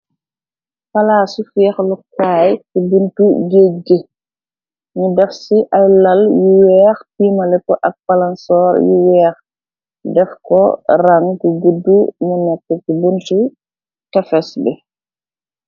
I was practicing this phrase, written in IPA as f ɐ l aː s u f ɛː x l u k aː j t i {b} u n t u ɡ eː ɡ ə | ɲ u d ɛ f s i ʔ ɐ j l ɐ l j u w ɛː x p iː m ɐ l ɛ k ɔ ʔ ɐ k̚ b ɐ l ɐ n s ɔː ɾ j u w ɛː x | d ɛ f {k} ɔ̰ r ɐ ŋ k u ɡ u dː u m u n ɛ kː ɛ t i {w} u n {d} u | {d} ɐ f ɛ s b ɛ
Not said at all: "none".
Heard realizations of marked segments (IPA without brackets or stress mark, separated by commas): b, k, b, t, t